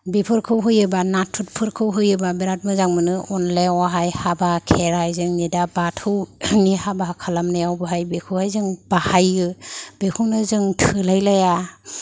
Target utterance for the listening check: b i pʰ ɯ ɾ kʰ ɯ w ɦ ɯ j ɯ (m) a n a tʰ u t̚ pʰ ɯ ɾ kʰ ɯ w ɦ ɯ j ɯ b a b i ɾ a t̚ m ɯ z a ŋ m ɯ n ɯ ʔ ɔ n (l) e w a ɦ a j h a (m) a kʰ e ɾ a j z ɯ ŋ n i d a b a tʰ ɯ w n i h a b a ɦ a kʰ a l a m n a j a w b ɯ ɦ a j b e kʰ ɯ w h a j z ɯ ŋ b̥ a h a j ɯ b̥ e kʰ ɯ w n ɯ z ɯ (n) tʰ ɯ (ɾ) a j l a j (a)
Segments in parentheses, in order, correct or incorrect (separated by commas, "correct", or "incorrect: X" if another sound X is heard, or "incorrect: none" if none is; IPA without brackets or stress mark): incorrect: b, correct, incorrect: b, incorrect: ŋ, incorrect: l, correct